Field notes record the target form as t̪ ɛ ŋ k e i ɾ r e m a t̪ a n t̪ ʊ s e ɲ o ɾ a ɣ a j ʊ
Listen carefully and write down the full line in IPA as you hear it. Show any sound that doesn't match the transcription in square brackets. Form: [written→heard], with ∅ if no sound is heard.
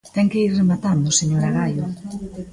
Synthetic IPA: t̪ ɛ ŋ k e i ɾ r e m a t̪ a n [t̪→d̪] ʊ s e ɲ o ɾ a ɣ a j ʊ